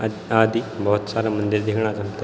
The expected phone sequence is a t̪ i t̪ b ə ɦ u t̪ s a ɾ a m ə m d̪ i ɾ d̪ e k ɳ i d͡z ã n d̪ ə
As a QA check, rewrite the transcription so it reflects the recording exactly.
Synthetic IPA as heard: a d̪ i b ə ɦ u t̪ s a ɾ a m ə n d̪ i ɾ d̪ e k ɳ a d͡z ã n t̪ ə